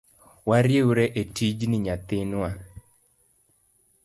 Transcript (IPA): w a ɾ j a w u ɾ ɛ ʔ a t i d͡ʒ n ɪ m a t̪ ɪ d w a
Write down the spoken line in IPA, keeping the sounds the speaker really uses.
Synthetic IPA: w a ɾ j e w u ɾ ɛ ʔ e t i d͡ʒ n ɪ ɲ a t̪ ɪ n w a